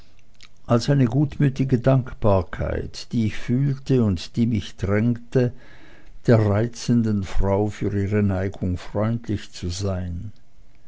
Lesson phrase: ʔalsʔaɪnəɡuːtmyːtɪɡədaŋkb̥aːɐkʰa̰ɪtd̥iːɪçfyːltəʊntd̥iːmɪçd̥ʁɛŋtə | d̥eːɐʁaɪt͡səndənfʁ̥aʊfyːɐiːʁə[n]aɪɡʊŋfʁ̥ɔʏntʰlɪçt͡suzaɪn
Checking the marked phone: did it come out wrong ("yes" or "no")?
no